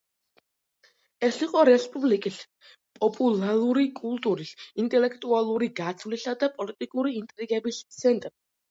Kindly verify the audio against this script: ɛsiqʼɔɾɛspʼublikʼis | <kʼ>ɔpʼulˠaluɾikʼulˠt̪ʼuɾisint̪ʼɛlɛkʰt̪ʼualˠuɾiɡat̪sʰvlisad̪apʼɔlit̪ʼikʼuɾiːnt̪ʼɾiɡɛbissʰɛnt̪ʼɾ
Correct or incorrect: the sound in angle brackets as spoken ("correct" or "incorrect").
incorrect